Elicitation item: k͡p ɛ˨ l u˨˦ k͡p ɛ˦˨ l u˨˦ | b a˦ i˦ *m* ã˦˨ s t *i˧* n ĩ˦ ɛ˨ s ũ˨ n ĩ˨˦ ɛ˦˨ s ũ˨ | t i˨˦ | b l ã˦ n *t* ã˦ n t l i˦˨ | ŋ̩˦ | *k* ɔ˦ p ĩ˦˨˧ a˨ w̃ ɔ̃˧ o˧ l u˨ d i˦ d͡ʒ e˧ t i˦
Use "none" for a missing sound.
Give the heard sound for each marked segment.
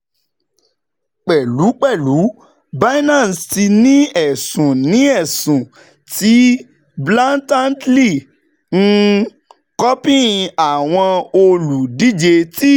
n, i˧, t, k

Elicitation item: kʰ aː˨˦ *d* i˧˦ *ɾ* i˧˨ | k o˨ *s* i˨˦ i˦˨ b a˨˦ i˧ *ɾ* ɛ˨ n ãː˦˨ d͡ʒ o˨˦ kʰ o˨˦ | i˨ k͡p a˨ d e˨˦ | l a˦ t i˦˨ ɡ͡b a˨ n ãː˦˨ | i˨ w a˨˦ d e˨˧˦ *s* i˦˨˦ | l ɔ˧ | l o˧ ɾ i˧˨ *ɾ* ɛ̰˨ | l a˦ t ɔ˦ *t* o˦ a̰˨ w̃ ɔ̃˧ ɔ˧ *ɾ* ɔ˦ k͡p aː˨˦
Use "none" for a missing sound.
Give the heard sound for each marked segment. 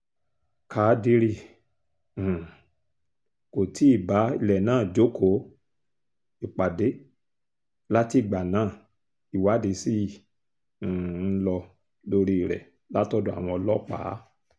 d, ɾ, t, l, s, ɾ, d, l

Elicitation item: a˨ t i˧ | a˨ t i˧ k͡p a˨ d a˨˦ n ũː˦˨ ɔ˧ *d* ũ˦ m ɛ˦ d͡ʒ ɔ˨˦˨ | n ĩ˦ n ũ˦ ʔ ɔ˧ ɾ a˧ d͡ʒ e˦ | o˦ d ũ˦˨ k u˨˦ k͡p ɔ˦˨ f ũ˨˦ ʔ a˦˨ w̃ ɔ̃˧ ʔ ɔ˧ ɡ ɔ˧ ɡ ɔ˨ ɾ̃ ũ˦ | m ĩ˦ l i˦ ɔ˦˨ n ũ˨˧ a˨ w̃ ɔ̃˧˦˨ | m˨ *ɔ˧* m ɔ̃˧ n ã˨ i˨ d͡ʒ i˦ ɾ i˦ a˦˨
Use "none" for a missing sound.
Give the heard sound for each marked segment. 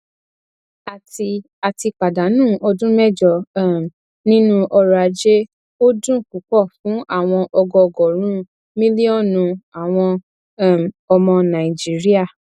d, ɔ˧

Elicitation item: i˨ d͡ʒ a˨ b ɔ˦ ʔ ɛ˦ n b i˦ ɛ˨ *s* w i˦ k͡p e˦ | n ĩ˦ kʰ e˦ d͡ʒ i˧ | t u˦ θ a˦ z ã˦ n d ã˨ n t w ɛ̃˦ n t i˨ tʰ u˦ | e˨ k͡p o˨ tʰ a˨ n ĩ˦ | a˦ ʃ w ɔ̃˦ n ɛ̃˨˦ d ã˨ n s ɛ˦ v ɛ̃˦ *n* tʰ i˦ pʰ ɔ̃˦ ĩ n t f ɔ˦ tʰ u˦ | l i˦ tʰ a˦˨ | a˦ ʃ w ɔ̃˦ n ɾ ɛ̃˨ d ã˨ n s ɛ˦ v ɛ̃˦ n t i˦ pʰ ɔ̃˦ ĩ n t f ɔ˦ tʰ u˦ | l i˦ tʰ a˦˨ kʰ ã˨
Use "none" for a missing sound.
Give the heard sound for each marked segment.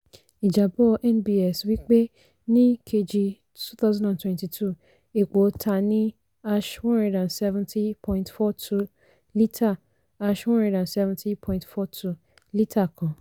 s, n

